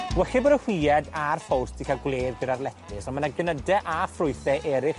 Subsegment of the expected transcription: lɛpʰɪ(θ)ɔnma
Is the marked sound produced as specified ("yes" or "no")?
no